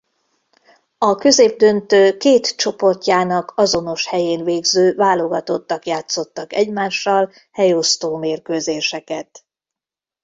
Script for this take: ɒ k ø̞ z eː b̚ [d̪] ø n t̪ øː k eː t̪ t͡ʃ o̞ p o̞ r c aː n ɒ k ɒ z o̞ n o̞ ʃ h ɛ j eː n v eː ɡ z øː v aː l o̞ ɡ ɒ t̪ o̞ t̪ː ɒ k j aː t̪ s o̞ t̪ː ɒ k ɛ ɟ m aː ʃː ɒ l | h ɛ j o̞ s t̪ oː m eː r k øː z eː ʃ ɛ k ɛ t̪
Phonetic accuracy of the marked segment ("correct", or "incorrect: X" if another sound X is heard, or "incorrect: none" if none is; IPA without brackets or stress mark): correct